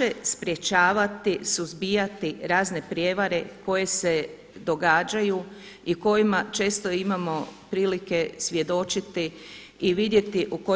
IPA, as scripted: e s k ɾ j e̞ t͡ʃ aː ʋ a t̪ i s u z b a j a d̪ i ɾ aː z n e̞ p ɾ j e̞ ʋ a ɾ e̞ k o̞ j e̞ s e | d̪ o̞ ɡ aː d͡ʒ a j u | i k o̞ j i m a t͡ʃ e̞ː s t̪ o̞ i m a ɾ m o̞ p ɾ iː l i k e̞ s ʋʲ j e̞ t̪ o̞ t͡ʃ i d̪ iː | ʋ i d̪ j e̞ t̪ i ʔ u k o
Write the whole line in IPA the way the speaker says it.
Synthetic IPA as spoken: e s p ɾ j e̞ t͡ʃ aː ʋ a t̪ i s u z b i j a t̪ i ɾ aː z n e̞ p ɾ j e̞ ʋ a ɾ e̞ k o̞ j e̞ s e | d̪ o̞ ɡ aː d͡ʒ a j u | i k o̞ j i m a t͡ʃ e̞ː s t̪ o̞ i m a m o̞ p ɾ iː l i k e̞ s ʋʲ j e̞ d̪ o̞ t͡ʃ i t̪ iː | ʋ i d̪ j e̞ t̪ i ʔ u k o